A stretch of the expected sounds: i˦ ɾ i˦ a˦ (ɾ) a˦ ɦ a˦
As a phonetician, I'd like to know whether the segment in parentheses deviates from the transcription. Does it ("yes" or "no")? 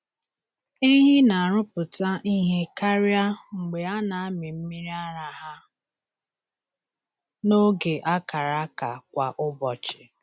no